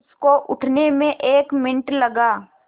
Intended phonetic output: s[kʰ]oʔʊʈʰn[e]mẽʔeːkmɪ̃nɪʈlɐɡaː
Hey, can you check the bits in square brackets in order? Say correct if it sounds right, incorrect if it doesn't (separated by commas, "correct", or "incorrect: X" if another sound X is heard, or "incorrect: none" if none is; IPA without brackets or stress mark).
incorrect: k, correct